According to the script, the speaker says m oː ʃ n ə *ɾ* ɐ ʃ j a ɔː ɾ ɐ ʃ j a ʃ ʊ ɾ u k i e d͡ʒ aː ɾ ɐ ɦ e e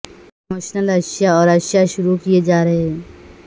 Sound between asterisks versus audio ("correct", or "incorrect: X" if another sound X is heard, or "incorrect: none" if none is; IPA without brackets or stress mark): incorrect: l